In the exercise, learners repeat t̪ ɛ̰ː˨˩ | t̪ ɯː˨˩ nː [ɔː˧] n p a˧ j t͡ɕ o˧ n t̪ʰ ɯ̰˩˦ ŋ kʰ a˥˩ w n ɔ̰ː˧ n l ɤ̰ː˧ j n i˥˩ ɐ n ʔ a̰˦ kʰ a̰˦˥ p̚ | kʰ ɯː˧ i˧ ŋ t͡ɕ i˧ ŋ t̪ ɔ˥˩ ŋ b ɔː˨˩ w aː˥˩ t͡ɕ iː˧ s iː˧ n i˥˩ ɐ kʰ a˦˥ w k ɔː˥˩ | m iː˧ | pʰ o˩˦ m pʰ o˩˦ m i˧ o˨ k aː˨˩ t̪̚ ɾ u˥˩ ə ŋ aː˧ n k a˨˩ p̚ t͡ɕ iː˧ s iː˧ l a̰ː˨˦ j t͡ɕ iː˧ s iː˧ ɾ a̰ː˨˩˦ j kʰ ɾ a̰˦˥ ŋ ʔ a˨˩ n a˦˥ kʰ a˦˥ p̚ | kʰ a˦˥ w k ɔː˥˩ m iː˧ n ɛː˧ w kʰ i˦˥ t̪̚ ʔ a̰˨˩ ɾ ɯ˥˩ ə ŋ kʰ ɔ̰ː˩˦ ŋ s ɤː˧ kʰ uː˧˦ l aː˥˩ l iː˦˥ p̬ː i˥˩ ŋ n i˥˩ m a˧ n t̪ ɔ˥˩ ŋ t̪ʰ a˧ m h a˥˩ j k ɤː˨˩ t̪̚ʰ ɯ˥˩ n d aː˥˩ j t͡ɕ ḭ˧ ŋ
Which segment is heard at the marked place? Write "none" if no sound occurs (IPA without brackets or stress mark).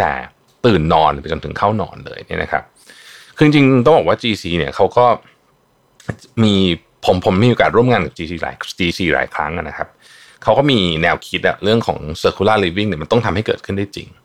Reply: ɔː˧